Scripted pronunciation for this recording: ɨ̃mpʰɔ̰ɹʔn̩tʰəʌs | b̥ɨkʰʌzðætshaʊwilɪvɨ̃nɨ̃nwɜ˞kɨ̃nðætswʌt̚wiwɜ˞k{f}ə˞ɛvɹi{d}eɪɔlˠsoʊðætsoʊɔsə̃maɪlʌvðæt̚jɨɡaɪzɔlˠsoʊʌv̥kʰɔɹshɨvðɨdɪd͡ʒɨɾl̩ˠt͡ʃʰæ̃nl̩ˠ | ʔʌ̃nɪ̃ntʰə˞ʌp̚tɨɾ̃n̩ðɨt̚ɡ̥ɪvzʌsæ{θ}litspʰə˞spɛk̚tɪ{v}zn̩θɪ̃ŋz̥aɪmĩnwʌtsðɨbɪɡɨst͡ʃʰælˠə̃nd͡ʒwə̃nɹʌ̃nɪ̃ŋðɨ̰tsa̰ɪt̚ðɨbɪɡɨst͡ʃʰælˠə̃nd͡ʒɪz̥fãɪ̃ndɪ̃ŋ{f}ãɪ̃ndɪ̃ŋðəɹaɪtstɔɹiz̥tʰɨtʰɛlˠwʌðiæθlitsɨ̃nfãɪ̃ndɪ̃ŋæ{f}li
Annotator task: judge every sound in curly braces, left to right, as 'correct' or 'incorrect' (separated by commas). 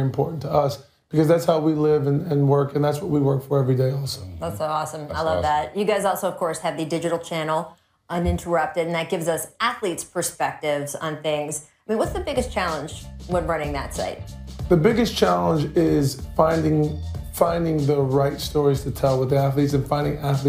correct, correct, correct, correct, correct, incorrect